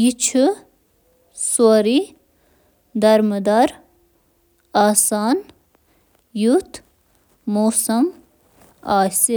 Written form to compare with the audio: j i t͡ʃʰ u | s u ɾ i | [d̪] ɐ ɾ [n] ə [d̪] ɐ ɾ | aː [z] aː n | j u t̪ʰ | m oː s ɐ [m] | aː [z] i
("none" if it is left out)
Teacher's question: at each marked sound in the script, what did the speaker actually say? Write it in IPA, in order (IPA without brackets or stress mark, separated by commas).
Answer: d̪, m, d̪, s, m, s